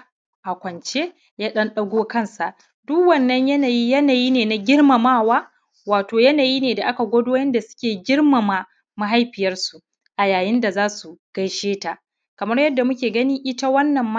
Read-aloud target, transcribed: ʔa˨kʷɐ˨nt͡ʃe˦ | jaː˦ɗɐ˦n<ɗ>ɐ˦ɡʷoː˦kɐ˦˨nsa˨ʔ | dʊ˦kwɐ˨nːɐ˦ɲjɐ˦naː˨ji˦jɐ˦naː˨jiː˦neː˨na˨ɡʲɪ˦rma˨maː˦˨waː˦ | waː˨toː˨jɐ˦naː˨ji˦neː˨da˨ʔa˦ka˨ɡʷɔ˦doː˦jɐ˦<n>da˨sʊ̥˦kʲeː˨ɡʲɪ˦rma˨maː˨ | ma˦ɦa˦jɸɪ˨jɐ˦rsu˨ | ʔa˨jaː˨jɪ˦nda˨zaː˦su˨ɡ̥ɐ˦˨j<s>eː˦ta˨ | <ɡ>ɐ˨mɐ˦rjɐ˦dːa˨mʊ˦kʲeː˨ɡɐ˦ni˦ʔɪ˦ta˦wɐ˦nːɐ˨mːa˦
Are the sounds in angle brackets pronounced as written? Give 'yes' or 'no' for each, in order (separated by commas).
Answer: yes, yes, no, no